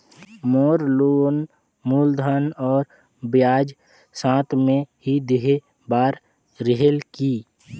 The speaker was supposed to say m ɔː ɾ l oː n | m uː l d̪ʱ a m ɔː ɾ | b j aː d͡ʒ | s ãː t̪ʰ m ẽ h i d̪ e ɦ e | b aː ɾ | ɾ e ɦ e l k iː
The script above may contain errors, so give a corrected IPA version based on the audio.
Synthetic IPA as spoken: m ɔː ɾ l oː n | m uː l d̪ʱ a n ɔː ɾ | b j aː d͡ʒ | s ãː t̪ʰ m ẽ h i d̪ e ɦ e | b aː ɾ | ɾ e ɦ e l k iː